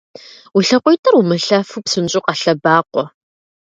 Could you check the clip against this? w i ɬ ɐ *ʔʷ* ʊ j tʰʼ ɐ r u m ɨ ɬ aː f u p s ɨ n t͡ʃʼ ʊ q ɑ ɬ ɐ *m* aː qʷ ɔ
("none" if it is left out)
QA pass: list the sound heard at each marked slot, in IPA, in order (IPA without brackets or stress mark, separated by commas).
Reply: qʷ, b